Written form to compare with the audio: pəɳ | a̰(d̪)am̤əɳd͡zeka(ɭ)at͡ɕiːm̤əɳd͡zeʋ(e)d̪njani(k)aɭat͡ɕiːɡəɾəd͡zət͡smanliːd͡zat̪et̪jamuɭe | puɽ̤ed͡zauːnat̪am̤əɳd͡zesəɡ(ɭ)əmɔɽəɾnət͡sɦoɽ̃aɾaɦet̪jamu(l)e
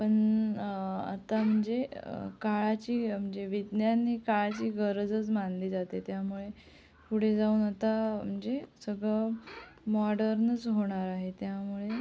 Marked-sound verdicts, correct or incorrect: incorrect, correct, incorrect, correct, correct, incorrect

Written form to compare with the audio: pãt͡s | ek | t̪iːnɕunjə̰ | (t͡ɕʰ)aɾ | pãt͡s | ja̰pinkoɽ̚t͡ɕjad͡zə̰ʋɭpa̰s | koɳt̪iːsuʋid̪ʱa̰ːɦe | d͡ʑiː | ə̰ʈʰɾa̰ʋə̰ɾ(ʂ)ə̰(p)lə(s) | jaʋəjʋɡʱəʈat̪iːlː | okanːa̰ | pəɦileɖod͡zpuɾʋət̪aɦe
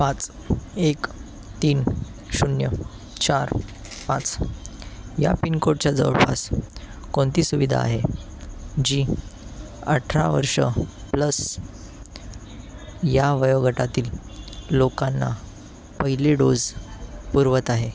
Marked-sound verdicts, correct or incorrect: incorrect, correct, correct, correct

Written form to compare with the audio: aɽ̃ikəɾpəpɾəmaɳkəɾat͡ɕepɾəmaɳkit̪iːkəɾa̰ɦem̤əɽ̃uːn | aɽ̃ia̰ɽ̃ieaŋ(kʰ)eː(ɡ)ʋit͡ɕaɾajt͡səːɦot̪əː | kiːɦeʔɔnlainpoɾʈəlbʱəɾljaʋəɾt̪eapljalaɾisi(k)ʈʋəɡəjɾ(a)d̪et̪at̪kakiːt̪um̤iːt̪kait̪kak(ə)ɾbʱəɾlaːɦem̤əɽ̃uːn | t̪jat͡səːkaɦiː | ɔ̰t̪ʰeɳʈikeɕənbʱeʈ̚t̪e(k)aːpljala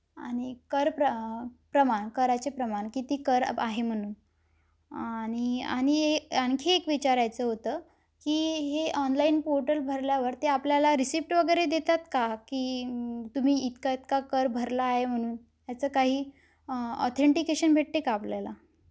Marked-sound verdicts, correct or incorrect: correct, incorrect, incorrect, incorrect, correct, correct

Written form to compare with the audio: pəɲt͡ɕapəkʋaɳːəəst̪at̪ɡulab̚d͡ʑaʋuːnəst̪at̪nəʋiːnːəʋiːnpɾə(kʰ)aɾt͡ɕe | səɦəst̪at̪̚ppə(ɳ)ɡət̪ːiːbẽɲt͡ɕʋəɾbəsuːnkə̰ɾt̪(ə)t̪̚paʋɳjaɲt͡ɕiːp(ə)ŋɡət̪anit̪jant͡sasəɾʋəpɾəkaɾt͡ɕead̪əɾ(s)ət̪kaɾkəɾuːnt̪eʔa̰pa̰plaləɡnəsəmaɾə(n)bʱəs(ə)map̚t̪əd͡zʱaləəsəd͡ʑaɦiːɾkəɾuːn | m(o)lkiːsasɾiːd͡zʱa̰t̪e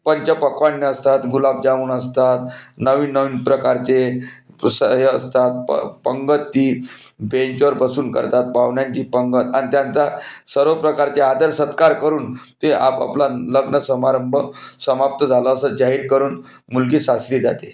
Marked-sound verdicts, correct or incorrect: incorrect, incorrect, incorrect, correct, correct, incorrect, correct, incorrect

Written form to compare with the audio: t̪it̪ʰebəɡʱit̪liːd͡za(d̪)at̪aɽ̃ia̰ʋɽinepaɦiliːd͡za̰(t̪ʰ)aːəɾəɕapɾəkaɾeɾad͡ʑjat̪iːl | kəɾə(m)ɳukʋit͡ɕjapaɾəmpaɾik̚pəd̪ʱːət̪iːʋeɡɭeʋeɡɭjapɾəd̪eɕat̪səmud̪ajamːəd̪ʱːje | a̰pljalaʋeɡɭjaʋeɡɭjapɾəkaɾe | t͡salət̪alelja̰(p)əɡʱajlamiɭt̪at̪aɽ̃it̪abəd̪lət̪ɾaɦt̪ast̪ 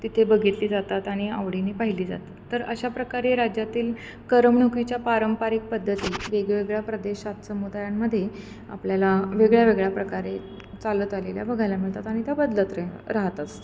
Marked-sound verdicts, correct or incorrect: incorrect, incorrect, correct, incorrect

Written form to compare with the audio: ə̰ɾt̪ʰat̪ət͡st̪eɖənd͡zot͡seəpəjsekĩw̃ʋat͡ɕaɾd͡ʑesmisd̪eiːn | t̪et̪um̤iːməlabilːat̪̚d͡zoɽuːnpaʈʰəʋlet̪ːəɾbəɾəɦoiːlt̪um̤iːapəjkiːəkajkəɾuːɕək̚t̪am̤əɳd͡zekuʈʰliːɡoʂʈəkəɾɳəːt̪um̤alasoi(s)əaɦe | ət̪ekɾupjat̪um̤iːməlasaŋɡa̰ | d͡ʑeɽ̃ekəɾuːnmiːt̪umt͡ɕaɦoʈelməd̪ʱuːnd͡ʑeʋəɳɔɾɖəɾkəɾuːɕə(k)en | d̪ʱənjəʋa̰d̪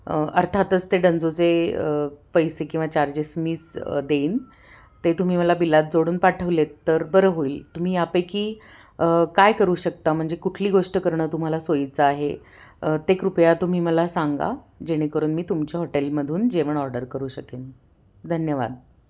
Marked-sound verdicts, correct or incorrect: incorrect, correct

